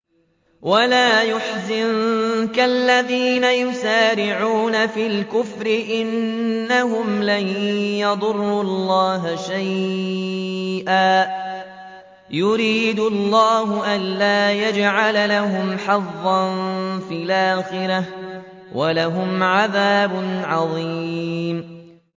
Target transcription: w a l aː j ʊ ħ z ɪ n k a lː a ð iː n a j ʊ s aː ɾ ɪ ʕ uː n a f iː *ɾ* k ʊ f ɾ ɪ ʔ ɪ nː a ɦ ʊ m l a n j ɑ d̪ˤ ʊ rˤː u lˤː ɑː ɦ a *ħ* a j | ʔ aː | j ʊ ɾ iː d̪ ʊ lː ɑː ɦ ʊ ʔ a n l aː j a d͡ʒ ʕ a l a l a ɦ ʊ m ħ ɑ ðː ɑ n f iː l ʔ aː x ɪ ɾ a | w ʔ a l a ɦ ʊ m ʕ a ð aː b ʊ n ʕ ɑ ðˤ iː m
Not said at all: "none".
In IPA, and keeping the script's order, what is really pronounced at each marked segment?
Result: l, ʃ

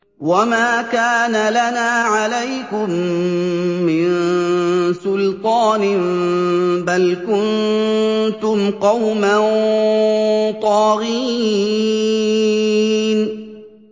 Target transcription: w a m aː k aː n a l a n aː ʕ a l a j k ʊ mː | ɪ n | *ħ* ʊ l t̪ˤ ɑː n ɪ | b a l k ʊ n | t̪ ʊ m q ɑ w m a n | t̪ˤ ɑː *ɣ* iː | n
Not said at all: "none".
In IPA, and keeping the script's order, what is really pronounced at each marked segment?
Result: s, ɣ

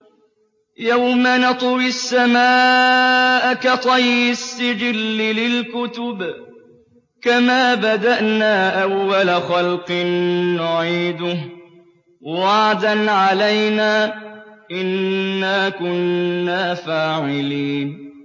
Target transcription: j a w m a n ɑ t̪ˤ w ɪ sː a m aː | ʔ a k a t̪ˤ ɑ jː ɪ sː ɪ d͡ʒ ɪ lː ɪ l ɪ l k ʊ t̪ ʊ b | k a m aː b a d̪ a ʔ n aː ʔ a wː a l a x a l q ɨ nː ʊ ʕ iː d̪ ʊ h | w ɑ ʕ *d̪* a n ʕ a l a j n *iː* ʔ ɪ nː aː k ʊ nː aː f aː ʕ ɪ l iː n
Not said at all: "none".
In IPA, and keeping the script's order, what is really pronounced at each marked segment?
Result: d̪, aː

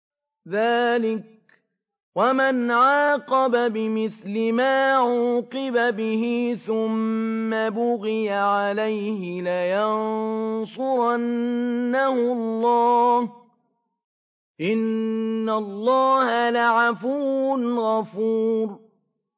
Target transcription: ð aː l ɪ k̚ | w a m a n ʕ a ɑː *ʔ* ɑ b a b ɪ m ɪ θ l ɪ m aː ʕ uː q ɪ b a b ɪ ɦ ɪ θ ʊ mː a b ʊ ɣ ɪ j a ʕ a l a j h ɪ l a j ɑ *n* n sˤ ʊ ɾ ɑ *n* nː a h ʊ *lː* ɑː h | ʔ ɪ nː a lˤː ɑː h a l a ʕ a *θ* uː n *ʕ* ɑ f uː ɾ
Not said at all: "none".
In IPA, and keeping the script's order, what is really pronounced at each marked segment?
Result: q, n, n, lː, f, ɣ

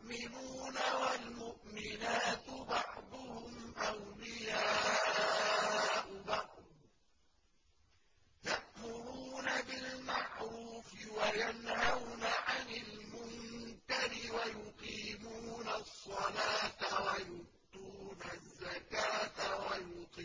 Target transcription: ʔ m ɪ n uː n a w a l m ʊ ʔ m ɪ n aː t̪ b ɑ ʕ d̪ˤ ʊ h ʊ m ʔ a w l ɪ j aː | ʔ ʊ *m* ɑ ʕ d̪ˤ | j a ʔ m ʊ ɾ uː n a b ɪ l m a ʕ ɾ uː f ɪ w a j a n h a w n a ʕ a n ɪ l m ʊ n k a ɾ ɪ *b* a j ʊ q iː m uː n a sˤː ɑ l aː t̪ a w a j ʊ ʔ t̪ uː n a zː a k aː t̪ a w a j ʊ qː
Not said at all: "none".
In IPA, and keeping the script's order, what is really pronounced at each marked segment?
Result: b, w

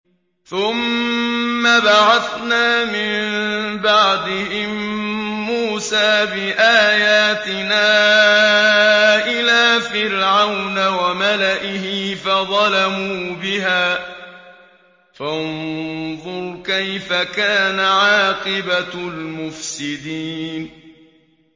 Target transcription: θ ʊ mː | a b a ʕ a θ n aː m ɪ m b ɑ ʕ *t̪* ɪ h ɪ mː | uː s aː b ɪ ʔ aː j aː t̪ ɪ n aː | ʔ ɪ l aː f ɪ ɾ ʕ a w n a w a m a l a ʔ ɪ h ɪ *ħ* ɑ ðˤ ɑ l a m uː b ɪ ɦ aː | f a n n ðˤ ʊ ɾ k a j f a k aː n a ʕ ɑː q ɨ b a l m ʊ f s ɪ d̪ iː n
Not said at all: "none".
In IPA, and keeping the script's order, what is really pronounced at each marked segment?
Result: d̪, f

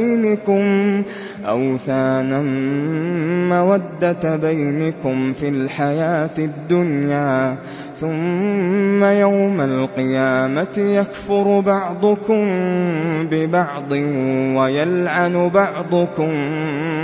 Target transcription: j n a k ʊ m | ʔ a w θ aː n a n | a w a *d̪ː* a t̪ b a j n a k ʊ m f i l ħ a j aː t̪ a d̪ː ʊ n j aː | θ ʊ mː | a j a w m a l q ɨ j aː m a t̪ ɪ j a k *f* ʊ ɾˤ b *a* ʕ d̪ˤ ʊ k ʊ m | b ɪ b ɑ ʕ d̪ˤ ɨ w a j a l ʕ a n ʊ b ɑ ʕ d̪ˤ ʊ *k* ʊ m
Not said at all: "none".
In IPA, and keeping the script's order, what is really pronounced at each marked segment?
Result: d̪ː, f, ɑ, k

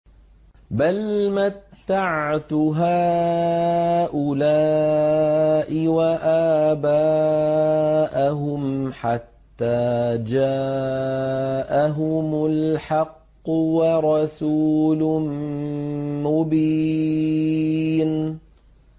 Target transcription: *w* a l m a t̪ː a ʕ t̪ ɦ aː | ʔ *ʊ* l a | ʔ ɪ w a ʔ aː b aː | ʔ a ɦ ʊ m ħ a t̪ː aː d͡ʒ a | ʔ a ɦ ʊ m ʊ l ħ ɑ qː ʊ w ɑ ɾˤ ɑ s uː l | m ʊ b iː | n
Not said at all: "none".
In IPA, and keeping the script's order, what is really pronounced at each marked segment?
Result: b, ʊ

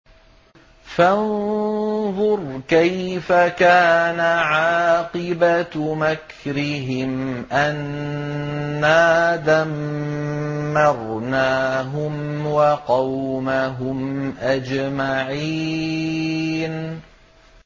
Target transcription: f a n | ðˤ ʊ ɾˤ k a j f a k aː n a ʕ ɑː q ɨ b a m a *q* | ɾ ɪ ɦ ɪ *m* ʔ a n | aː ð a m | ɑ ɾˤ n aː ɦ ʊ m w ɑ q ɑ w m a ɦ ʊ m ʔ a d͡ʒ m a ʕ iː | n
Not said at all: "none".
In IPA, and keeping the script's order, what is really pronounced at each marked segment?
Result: k, m

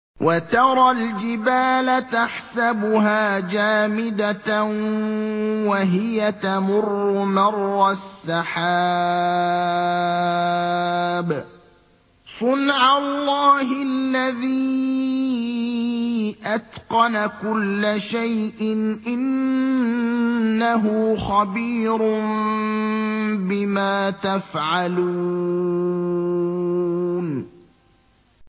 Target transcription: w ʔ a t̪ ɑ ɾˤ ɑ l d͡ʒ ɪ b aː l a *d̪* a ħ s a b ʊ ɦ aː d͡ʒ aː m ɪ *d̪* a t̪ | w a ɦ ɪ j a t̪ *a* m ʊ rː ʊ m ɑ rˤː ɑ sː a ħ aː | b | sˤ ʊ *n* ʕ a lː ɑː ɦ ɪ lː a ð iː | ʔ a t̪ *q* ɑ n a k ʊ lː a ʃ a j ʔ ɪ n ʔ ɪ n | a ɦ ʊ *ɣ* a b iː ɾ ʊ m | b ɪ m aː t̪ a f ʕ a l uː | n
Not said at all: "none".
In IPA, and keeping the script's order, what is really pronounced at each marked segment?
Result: t̪, d̪, a, n, q, x

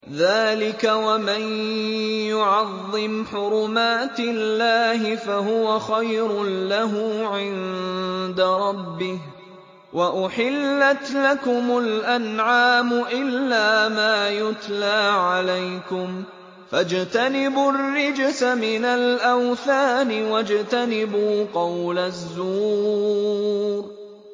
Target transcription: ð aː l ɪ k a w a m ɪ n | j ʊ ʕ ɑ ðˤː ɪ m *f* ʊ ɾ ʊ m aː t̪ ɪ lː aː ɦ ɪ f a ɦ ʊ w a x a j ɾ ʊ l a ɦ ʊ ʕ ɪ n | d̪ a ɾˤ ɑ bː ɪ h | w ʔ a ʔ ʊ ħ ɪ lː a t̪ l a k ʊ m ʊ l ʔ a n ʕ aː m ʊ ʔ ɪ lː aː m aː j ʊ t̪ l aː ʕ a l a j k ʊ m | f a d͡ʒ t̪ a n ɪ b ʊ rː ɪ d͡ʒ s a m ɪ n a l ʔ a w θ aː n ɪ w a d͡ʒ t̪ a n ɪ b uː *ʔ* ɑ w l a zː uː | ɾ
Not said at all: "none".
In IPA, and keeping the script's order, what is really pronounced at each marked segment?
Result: ħ, q

